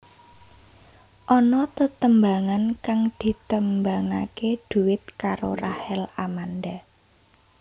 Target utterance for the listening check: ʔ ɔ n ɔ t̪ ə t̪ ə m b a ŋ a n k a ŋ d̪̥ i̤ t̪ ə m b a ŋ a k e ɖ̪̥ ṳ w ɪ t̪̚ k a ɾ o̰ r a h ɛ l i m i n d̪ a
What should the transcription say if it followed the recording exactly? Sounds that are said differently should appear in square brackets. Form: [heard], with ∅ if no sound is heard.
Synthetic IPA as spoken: ʔ ɔ n ɔ t̪ ə t̪ ə m b a ŋ a n k a ŋ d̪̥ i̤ t̪ ə m b a ŋ a k e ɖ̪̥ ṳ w ɪ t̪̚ k a ɾ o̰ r a h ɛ l [a] m [a] n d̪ a